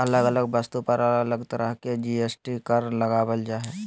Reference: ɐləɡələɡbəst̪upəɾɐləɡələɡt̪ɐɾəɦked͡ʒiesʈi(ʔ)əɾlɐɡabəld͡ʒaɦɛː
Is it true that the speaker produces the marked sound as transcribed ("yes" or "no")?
no